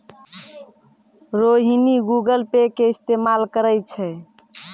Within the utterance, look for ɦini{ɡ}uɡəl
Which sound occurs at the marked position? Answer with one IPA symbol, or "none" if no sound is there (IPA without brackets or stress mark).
ɡ